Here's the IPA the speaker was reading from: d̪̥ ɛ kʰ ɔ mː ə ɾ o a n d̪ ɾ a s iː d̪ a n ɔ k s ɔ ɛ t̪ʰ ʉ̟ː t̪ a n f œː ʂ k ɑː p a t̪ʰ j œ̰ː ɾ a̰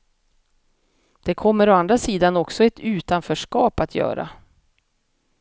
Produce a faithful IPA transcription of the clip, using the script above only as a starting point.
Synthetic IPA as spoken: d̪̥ ɛ kʰ ɔ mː ə ɾ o a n d̪ ɾ a s iː d̪ a n ɔ k s ɔ ɛ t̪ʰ ʉ̟ː t̪ a n f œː ʂ k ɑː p a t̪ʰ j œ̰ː ɾ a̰